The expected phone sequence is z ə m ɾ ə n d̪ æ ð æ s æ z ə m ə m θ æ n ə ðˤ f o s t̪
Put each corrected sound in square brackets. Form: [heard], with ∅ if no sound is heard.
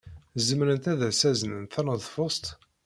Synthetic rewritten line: z ə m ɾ ə n [t̪] æ ð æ s æ z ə [n] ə [n] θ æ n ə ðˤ f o s t̪